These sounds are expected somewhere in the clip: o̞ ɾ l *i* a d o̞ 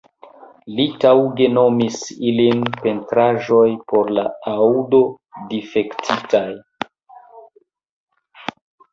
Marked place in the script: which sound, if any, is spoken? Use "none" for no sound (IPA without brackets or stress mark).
a